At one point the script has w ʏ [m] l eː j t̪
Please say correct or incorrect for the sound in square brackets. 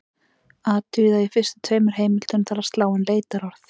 incorrect